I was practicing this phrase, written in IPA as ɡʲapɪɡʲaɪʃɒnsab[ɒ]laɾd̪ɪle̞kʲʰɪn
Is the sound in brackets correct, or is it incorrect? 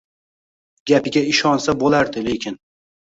incorrect: o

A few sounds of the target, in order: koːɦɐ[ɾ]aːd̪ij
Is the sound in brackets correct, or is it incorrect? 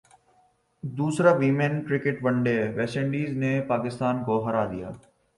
correct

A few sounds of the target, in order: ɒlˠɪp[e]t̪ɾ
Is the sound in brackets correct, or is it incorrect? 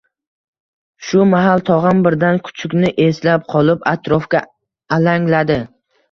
incorrect: a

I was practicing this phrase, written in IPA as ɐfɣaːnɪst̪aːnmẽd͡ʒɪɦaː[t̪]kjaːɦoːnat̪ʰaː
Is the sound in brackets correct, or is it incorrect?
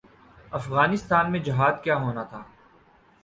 incorrect: d̪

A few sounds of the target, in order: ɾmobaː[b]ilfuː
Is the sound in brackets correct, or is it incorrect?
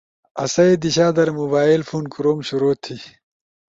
incorrect: none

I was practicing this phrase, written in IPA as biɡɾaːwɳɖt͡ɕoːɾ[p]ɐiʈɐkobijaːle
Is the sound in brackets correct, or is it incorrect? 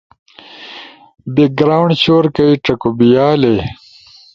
incorrect: k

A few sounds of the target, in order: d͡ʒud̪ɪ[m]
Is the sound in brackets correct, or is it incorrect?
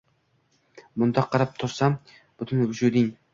incorrect: ŋ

